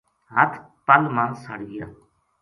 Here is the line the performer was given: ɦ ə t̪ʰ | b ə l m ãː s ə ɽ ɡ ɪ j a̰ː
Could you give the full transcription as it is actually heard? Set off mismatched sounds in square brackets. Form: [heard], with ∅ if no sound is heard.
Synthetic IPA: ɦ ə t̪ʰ | [p] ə l m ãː s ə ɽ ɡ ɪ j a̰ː